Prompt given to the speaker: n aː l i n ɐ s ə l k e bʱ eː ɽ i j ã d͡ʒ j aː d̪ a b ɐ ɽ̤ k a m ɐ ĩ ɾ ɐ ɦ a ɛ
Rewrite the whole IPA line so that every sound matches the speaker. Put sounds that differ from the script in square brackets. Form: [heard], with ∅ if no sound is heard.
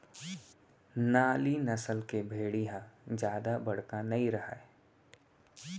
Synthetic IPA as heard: n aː l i n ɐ s ə l k e bʱ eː ɽ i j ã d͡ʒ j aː d̪ a b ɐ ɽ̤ k a [n] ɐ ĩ ɾ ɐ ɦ a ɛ